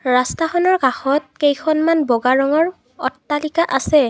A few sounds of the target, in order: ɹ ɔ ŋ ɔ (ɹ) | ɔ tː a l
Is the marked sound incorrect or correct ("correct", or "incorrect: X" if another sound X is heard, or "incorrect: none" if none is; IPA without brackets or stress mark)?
correct